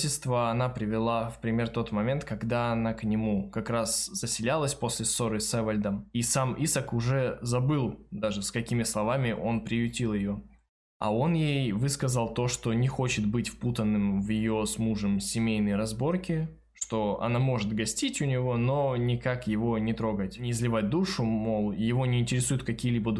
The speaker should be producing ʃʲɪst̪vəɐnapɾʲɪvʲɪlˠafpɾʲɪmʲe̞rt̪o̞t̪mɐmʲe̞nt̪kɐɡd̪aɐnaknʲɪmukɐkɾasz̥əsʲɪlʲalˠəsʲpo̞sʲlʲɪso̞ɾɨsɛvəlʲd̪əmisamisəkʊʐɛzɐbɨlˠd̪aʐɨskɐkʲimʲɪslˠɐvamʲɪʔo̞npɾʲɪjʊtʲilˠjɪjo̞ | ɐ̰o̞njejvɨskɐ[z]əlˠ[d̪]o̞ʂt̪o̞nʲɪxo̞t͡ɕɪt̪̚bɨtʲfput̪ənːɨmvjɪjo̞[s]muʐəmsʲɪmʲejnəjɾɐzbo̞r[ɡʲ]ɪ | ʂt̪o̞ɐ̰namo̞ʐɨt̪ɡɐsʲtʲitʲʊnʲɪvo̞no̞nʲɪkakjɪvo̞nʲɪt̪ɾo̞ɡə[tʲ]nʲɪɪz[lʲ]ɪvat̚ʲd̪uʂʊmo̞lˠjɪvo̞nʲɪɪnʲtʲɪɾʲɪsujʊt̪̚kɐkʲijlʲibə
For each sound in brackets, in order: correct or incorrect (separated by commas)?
correct, incorrect, correct, incorrect, correct, correct